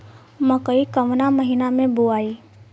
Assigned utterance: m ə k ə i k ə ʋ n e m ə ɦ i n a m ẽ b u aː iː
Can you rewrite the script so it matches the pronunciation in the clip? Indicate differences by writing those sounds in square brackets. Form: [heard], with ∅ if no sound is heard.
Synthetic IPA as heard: m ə k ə i k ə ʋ n [a] m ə ɦ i n a m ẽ b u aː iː